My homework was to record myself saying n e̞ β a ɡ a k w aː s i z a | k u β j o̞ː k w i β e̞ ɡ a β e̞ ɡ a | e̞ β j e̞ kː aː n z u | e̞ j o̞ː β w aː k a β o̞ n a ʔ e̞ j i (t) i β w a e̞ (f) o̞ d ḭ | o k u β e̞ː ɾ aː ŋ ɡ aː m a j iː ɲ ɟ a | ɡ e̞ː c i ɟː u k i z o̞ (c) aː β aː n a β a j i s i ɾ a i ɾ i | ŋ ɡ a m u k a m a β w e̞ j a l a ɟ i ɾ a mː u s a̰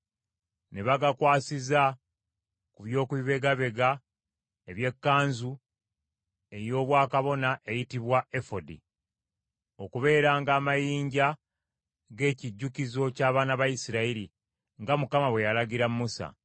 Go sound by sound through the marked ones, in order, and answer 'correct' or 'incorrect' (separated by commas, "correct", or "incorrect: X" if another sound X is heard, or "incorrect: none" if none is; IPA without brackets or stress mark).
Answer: correct, correct, correct